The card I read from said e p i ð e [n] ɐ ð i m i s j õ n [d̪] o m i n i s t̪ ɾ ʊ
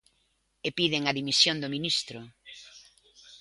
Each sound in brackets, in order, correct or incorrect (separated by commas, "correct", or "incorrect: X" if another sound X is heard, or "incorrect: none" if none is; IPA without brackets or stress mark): incorrect: ŋ, correct